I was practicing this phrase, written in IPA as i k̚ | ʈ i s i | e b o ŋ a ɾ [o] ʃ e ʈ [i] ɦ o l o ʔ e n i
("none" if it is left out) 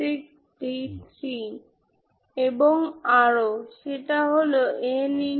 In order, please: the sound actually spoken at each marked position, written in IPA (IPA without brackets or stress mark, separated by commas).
o, a